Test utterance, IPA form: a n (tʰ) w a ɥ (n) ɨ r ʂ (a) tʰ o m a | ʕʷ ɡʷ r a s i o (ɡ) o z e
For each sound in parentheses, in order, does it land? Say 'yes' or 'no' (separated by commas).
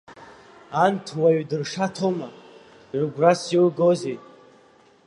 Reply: yes, no, yes, yes